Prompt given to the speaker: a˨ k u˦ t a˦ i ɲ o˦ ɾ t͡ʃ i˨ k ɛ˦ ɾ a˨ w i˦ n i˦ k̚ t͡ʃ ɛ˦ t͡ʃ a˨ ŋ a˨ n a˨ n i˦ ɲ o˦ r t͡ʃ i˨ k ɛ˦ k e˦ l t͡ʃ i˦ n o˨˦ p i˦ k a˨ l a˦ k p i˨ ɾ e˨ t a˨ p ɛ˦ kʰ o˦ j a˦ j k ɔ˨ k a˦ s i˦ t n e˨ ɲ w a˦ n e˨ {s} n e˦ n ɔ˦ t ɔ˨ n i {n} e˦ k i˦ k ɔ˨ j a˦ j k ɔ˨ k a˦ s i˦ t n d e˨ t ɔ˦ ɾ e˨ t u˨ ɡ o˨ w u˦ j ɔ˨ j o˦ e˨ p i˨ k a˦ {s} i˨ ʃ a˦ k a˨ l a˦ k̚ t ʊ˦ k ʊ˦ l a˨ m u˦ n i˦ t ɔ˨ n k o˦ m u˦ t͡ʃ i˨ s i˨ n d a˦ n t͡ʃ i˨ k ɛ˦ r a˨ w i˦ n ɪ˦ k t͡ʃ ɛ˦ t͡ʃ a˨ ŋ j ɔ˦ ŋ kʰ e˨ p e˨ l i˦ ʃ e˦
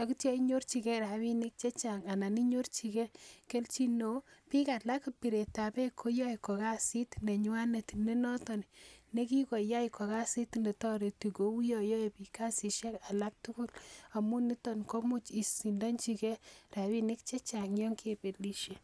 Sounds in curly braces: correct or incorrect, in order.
incorrect: t, correct, correct

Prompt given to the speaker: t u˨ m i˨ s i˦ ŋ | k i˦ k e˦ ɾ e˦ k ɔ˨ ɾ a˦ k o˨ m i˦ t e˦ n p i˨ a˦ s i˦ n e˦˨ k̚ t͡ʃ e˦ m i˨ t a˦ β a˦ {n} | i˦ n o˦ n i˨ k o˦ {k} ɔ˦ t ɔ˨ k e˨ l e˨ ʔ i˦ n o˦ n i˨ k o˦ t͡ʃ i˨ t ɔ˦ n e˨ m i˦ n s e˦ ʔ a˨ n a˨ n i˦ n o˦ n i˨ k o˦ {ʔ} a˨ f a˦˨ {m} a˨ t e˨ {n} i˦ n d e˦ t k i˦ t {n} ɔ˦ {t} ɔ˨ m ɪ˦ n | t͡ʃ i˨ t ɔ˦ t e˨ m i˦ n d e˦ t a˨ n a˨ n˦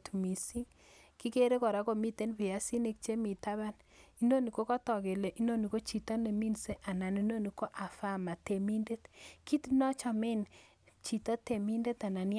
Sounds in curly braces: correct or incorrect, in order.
correct, correct, correct, correct, incorrect: m, correct, incorrect: t͡ʃ

